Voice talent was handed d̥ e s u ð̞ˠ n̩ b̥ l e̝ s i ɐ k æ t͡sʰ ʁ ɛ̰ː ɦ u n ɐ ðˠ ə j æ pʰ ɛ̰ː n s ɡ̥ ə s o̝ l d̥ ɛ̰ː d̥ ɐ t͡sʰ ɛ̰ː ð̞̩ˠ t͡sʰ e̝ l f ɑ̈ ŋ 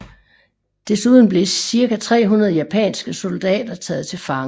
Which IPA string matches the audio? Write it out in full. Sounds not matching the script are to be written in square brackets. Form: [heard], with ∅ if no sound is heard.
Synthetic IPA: d̥ e s u ð̞ˠ n̩ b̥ l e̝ s i ɐ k æ t͡sʰ ʁ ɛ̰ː ɦ u n ɐ ðˠ ə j æ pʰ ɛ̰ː n s ɡ̥ ə s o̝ l d̥ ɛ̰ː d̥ ɐ t͡sʰ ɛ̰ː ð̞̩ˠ t͡sʰ e̝ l f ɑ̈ ŋ